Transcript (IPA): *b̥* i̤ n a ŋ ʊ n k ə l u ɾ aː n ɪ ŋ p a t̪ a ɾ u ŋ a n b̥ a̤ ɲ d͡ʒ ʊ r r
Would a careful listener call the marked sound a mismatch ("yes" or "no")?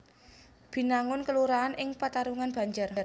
no